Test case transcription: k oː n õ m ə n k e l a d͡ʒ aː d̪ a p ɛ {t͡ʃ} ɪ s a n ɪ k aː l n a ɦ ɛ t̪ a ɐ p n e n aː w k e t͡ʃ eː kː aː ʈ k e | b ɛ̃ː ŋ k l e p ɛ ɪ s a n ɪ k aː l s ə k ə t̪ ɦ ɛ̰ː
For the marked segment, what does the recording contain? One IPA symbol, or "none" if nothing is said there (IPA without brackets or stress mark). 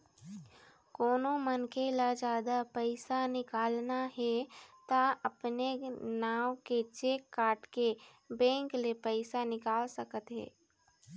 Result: none